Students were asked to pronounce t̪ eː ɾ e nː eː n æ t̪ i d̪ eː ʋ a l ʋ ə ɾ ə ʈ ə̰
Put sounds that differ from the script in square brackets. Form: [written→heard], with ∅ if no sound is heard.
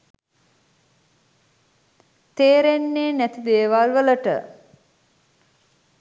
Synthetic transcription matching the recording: t̪ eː ɾ e nː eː n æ t̪ i d̪ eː ʋ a l ʋ ə [ɾ→l] ə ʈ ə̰